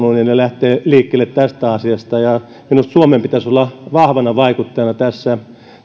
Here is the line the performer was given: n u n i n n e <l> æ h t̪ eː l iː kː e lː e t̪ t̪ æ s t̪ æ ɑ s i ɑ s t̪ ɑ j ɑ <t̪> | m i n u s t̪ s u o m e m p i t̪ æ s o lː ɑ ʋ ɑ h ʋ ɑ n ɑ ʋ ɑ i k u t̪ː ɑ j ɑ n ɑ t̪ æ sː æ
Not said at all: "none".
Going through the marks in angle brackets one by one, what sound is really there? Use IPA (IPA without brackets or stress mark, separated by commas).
l, none